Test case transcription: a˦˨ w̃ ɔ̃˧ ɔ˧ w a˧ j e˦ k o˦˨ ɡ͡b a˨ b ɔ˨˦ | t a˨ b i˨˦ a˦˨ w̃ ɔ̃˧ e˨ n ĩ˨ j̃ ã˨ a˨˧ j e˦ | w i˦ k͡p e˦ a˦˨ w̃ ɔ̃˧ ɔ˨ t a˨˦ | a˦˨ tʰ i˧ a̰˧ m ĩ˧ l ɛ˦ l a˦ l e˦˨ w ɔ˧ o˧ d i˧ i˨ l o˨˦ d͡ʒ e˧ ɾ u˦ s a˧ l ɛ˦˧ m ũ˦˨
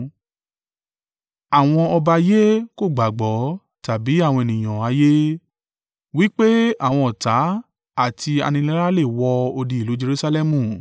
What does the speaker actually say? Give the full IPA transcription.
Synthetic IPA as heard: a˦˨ w̃ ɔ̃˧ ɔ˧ b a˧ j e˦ k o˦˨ ɡ͡b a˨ ɡ͡b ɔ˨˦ | t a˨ b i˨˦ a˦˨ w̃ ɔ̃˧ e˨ n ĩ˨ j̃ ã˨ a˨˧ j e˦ | w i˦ k͡p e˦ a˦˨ w̃ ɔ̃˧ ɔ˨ t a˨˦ | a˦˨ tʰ i˧ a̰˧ n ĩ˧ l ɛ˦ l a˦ l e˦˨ w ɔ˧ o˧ d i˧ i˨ l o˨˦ d͡ʒ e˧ ɾ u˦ s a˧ l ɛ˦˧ m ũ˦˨